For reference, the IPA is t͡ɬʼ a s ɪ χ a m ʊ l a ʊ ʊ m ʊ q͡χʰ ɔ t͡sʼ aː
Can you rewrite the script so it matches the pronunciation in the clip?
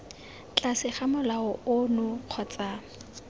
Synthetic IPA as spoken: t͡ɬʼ a s ɪ χ a m ʊ l a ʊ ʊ n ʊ q͡χʰ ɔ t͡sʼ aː